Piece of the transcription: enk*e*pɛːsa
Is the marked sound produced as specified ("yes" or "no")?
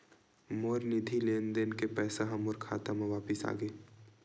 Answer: yes